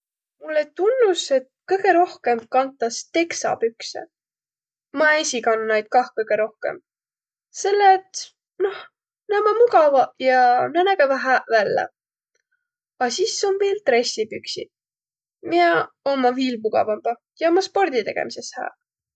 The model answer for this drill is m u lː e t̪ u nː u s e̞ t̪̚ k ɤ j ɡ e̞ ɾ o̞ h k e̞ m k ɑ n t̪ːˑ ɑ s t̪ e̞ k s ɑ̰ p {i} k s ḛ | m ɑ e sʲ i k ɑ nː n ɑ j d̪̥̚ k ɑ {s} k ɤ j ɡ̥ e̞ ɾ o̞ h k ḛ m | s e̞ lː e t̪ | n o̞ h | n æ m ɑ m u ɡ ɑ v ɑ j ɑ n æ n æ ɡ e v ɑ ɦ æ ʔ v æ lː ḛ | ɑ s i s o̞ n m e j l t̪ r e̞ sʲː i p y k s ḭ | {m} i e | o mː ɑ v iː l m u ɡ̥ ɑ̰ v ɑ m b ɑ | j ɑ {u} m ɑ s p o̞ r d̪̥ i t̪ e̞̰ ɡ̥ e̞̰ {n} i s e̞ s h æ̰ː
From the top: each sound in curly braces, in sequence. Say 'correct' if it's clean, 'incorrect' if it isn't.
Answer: incorrect: y, incorrect: h, correct, incorrect: o, incorrect: m

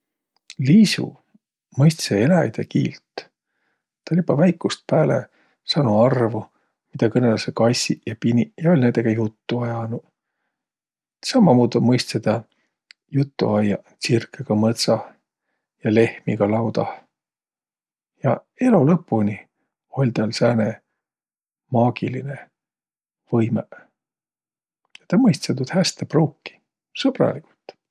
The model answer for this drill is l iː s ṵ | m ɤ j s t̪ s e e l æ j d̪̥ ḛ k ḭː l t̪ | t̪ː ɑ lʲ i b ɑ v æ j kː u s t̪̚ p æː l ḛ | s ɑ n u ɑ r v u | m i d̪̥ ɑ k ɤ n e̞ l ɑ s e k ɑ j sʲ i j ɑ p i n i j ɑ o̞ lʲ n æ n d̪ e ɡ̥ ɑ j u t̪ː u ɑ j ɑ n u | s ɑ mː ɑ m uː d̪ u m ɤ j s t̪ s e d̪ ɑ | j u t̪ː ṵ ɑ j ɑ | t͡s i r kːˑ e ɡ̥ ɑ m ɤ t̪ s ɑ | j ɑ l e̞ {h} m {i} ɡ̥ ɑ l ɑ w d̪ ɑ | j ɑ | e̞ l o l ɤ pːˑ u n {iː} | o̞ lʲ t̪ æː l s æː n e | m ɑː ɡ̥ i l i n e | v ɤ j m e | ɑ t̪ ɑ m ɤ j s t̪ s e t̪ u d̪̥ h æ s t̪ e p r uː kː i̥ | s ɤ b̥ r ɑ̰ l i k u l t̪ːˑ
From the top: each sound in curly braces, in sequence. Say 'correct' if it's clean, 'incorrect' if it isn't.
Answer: correct, correct, incorrect: i

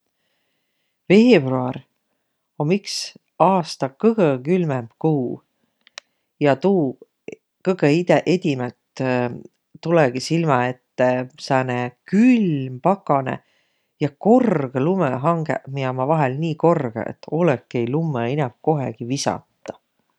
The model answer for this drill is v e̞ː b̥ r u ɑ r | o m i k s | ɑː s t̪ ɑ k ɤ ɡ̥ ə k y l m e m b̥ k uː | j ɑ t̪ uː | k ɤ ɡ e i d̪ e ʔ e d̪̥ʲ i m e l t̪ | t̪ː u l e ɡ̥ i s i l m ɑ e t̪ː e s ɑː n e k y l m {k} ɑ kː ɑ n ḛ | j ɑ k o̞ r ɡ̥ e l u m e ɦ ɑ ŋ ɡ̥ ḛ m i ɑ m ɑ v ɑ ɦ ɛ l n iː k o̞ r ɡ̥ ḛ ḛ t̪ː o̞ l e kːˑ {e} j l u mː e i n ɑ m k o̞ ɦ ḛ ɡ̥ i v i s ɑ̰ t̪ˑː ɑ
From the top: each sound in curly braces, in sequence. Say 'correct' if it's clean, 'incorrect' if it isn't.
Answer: incorrect: p, correct

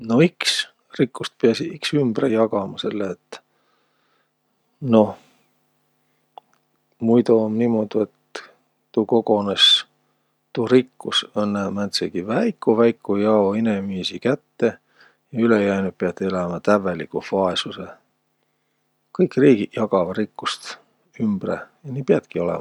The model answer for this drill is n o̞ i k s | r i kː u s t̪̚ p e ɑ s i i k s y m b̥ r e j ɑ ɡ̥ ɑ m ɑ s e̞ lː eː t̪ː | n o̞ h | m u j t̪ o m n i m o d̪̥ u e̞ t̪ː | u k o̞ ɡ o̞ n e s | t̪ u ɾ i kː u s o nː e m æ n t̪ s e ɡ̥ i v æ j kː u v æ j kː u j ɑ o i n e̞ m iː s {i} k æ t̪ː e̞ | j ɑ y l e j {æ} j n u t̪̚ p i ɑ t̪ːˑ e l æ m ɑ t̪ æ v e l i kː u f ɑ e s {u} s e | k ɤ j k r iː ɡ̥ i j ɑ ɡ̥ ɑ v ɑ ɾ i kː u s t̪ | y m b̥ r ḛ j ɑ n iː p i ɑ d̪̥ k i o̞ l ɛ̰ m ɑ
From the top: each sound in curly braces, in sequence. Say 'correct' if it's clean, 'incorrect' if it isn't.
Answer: correct, correct, correct

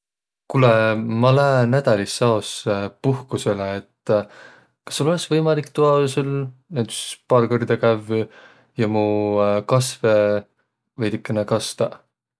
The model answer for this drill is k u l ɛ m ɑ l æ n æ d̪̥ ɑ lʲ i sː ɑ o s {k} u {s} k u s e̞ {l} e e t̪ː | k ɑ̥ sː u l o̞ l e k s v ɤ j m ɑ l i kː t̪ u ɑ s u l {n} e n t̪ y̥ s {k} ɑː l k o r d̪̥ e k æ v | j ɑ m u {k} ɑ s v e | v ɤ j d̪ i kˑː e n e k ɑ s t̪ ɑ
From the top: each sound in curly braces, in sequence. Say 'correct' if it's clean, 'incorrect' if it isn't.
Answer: incorrect: p, incorrect: h, correct, correct, incorrect: p, correct

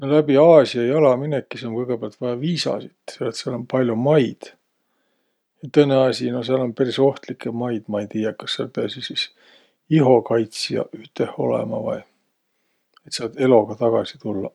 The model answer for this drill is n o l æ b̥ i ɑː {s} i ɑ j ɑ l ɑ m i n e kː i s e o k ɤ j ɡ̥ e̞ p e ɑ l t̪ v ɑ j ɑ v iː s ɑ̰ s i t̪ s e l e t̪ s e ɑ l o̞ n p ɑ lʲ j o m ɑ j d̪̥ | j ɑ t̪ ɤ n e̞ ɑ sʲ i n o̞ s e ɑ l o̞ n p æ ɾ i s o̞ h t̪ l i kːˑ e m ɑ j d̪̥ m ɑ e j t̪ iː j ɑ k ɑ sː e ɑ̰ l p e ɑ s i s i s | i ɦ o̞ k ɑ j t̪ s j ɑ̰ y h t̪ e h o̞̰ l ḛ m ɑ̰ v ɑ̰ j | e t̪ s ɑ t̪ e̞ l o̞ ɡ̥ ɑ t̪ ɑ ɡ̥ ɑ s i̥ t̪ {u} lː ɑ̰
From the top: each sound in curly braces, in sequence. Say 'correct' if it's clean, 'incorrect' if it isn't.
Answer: correct, correct

